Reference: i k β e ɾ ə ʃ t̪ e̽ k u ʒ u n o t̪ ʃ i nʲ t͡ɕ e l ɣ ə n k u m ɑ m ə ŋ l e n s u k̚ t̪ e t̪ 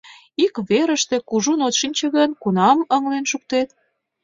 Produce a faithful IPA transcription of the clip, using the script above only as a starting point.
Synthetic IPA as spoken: i k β e ɾ ə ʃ t̪ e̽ k u ʒ u n o t̪ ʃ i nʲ t͡ɕ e ɣ ə n k u n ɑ m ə ŋ l e n ʃ u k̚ t̪ e t̪